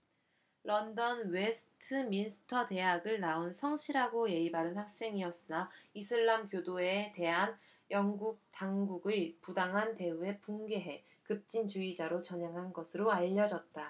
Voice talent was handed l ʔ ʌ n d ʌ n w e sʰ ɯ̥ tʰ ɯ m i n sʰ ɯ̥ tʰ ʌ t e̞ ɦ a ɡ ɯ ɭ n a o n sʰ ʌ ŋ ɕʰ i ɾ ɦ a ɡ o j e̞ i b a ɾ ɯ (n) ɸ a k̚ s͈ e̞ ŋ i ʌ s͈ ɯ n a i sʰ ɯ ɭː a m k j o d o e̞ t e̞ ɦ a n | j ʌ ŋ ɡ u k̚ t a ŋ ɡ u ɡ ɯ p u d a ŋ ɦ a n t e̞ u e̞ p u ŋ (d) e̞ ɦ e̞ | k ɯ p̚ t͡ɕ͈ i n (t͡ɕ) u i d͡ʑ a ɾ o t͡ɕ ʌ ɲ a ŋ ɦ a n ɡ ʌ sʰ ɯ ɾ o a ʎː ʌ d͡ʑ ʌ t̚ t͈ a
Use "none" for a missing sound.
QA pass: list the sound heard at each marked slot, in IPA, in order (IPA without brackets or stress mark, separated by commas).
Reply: n, ɡ, t͡ɕ